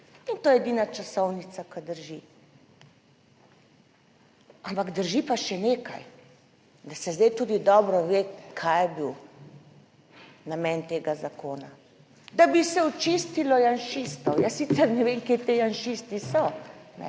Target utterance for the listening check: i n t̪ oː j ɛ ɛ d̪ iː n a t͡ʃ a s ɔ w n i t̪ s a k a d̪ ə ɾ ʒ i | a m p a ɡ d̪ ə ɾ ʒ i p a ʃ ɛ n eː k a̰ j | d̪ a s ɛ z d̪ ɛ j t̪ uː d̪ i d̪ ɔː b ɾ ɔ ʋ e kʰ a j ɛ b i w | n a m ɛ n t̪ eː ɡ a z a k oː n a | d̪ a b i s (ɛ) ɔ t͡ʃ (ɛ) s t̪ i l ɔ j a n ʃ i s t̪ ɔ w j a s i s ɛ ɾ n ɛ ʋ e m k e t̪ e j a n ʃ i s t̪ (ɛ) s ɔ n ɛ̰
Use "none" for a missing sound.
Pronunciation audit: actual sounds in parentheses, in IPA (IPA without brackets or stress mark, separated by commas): ɛ, i, i